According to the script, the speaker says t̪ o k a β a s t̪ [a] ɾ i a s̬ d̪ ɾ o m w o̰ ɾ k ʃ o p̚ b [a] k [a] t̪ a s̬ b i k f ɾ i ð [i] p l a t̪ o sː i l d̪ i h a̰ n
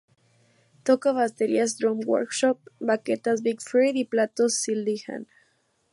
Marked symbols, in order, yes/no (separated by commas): no, yes, no, yes